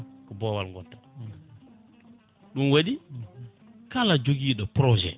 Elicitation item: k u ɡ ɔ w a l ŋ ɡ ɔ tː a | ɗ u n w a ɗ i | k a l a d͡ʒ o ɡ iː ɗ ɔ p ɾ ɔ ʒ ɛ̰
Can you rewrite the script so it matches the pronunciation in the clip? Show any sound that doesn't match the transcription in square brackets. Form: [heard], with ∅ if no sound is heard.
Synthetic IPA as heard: k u [b] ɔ w a l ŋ ɡ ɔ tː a | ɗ u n w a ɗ i | k a l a d͡ʒ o ɡ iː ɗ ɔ p ɾ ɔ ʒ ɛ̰